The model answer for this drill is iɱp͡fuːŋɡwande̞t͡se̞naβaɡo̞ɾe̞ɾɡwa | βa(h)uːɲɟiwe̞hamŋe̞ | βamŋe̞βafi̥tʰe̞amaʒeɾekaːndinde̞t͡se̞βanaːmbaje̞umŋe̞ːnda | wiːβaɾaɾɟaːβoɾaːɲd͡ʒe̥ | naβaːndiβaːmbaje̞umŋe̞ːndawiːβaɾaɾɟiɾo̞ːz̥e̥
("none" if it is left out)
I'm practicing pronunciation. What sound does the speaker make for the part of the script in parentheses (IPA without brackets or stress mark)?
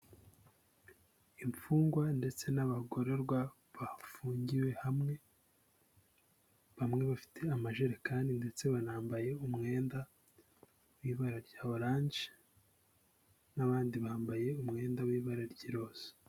f